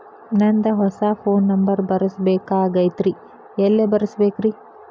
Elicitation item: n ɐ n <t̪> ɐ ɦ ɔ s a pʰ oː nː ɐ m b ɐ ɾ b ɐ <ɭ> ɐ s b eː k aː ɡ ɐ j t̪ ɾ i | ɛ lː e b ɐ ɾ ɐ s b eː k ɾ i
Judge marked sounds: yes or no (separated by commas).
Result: no, no